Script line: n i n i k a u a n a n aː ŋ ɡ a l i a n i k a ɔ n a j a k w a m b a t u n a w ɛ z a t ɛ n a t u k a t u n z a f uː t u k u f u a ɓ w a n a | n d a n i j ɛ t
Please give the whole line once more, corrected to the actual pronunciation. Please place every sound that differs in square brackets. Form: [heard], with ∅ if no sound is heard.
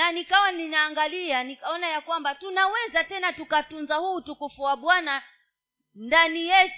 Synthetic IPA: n [a] n i k a [w] a n [i] n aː ŋ ɡ a l i a n i k a ɔ n a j a k w a m b a t u n a w ɛ z a t ɛ n a t u k a t u n z a [h] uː t u k u f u a ɓ w a n a | n d a n i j ɛ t